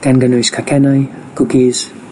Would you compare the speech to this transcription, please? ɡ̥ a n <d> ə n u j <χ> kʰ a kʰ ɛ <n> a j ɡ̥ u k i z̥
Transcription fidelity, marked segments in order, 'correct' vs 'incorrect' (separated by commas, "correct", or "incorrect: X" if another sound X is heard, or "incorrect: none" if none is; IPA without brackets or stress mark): incorrect: ɡ, incorrect: s, correct